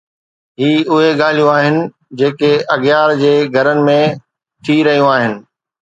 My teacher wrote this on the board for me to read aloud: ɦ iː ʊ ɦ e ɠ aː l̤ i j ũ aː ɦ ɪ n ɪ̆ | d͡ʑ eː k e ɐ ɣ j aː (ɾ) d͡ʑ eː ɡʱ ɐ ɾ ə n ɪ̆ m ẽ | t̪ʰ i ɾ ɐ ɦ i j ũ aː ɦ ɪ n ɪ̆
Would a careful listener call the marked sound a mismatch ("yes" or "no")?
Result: no